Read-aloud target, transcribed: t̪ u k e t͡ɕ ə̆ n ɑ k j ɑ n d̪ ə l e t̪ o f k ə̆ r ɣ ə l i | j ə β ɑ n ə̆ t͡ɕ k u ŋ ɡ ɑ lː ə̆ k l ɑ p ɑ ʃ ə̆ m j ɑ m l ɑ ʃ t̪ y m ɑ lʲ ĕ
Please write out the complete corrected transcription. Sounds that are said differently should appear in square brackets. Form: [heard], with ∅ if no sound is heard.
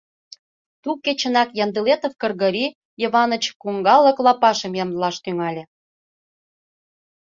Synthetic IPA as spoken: t̪ u k e t͡ɕ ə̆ n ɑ k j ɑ n d̪ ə l e t̪ o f k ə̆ r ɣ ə [ɾ] i | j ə β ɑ n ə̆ t͡ɕ k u ŋ ɡ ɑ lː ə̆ k l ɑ p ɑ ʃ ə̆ m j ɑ m l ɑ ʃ t̪ y [ŋ] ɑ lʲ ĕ